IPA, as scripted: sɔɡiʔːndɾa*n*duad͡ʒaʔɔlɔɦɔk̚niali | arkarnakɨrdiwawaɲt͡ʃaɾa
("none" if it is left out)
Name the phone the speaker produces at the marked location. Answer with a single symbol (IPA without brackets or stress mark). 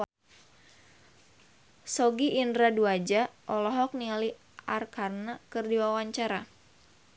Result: none